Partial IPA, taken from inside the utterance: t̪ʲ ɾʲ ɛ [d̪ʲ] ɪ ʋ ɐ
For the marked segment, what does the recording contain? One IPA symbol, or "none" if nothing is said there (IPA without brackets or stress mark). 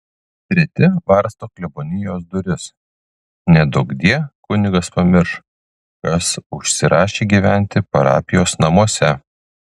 t̪ʲ